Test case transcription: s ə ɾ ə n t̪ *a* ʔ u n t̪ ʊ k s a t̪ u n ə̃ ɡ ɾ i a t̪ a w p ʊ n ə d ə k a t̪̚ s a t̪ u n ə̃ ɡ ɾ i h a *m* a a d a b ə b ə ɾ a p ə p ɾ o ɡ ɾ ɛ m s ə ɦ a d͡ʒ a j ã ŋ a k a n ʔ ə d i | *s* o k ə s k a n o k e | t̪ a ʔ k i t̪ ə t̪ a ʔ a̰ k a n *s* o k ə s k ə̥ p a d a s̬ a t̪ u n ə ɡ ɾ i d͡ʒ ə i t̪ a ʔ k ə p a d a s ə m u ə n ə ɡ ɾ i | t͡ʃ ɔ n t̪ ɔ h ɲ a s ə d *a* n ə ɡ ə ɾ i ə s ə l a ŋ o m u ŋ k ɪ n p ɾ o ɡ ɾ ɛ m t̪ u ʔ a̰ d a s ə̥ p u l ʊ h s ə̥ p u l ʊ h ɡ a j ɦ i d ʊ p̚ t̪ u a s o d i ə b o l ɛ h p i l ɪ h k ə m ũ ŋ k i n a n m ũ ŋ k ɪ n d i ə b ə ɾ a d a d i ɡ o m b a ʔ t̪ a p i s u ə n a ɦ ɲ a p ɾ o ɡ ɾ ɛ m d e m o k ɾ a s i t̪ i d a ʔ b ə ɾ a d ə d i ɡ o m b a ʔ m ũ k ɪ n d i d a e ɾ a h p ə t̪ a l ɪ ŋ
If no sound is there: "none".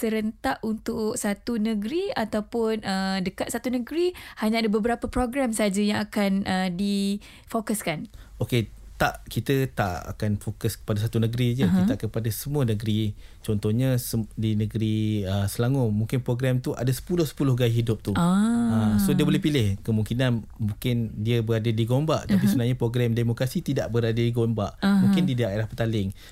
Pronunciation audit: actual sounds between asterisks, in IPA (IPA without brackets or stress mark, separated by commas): a, ɲ, f, f, i